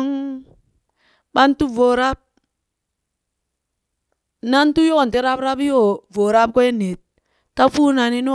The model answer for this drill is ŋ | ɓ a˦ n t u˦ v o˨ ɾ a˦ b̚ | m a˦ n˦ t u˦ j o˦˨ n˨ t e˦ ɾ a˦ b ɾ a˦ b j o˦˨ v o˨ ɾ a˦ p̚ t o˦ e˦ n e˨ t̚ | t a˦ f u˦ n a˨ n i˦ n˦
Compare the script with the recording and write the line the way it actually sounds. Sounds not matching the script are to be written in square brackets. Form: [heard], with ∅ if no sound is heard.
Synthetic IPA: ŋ | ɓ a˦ n t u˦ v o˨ ɾ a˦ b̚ | [n] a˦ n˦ t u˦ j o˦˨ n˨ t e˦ ɾ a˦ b ɾ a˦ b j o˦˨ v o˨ ɾ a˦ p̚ [k] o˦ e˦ n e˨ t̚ | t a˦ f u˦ n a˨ n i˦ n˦